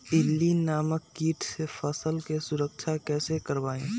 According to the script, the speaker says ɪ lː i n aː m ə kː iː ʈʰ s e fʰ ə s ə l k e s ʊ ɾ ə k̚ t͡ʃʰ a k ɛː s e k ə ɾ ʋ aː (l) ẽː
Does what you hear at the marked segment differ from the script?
yes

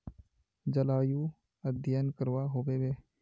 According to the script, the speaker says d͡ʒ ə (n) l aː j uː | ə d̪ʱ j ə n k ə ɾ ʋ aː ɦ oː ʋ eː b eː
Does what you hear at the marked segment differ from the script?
yes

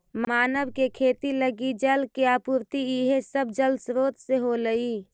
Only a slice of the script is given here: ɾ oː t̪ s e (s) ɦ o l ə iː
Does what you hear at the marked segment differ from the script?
yes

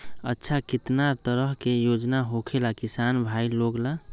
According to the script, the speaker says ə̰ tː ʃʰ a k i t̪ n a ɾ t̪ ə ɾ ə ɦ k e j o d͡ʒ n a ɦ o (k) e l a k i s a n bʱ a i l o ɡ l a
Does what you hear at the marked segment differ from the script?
yes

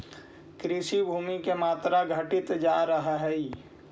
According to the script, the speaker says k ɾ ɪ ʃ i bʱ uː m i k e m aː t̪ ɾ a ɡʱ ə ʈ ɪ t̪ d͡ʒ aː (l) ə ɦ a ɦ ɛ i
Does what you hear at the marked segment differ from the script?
yes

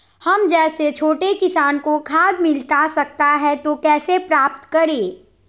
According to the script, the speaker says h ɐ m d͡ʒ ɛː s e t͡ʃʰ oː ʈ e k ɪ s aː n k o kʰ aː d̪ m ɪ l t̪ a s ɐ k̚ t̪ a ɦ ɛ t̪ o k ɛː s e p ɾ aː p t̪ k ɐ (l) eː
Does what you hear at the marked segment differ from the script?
yes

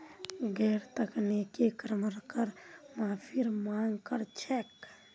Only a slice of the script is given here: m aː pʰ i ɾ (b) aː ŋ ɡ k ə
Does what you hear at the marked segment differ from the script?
yes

